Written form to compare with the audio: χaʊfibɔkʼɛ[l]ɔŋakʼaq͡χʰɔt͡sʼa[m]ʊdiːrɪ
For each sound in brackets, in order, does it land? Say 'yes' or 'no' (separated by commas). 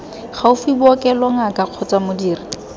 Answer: yes, yes